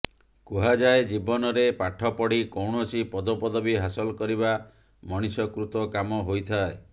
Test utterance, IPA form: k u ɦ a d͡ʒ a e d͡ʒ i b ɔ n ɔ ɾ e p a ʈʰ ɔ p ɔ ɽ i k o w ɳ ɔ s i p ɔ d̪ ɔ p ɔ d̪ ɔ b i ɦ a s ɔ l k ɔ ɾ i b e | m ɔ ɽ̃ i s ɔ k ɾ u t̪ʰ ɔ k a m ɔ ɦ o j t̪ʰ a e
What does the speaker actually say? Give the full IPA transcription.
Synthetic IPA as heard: k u ɦ a d͡ʒ a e d͡ʒ i b ɔ n ɔ ɾ e p a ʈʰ ɔ p ɔ ɽ i k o w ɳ ɔ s i p ɔ d̪ ɔ p ɔ d̪ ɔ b i ɦ a s ɔ l k ɔ ɾ i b a | m ɔ ɽ̃ i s ɔ k ɾ u t̪ ɔ k a m ɔ ɦ o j t̪ʰ a e